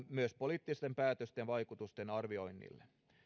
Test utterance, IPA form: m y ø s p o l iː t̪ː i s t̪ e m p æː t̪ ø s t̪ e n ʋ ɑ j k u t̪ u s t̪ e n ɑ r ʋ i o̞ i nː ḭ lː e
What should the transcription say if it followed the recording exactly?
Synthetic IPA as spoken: m y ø s p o l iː t̪ː i s t̪ e m p æː t̪ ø s t̪ e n ʋ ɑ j k u t̪ u s t̪ e n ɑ r ʋ i o̞ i nː ḭ lː e